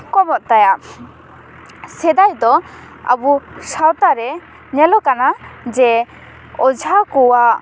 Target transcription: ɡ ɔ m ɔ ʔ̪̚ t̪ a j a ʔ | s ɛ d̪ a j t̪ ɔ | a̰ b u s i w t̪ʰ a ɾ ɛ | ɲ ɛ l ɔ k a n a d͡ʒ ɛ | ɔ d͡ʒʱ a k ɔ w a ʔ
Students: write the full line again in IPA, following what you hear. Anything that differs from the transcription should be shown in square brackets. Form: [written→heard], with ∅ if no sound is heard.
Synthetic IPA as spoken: [ɡ→k] ɔ m ɔ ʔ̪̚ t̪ a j a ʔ | s ɛ d̪ a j [t̪→d̪] ɔ | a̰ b u s [i→a] w [t̪ʰ→t̪] a ɾ ɛ | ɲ ɛ l ɔ k a n a d͡ʒ ɛ | ɔ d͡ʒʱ a k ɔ w a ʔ